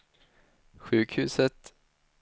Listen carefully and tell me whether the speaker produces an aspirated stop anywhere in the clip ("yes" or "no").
no